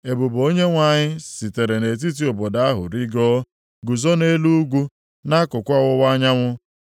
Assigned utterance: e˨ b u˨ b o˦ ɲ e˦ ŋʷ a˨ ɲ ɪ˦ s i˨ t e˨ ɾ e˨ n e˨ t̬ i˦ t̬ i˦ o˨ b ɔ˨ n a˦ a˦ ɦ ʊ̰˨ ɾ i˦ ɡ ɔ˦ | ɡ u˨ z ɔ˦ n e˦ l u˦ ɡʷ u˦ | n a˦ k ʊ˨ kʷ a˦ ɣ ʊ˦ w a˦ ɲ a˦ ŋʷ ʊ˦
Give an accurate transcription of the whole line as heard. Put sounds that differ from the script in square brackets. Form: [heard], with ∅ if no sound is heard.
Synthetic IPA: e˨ b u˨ b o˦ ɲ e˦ ŋʷ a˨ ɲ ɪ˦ s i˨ t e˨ ɾ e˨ n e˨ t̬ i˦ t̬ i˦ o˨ b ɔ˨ [d] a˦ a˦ ɦ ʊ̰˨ ɾ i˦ ɡ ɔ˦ | ɡ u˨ z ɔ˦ n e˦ l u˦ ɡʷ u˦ | n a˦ k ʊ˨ kʷ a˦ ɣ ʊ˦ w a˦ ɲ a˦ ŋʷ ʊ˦